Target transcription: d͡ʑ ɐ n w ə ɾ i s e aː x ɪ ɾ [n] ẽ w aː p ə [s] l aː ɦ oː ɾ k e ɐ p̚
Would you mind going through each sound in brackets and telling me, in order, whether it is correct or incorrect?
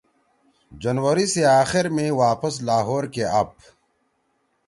incorrect: m, correct

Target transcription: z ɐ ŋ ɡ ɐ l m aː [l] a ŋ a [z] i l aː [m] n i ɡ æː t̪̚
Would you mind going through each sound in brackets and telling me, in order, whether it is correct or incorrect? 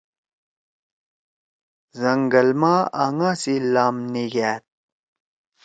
incorrect: none, incorrect: s, correct

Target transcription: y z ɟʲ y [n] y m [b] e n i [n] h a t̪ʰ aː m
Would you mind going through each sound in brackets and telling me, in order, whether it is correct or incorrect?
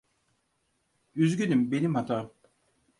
correct, correct, incorrect: m

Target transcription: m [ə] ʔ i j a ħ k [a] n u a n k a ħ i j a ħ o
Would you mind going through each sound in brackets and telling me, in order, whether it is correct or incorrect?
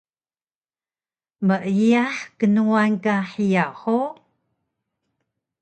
correct, incorrect: ə

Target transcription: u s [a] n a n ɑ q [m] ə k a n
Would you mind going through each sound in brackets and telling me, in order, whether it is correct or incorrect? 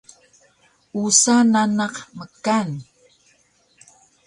correct, correct

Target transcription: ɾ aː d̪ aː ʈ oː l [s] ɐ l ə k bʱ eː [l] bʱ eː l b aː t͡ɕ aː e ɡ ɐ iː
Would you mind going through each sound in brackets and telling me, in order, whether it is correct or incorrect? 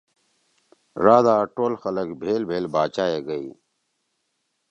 incorrect: x, correct

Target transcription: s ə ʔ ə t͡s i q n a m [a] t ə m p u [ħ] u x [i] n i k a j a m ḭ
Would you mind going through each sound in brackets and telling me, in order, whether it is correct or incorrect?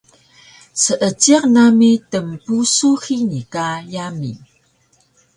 incorrect: i, incorrect: s, correct

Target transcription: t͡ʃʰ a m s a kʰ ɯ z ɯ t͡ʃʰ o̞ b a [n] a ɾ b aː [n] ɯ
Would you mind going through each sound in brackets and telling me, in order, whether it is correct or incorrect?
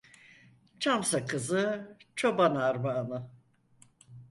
correct, correct

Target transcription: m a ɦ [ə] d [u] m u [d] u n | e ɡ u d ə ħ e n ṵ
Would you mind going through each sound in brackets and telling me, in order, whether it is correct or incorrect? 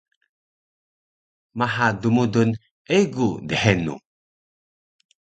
incorrect: a, correct, correct

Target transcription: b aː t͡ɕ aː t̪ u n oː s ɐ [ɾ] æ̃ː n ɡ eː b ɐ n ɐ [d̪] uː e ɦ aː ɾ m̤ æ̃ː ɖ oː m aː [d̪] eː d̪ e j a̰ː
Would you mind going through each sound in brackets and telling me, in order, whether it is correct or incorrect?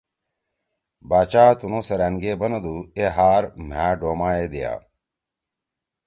correct, correct, incorrect: none

